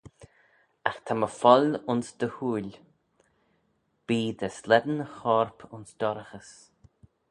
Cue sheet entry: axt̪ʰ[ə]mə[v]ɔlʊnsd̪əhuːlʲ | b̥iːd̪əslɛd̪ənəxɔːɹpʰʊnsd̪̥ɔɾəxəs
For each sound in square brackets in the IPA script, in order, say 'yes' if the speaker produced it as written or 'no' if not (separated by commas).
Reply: no, no